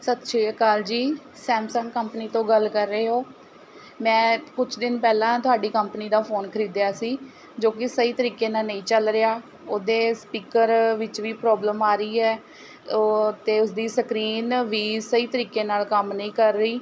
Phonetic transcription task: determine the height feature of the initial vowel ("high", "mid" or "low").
mid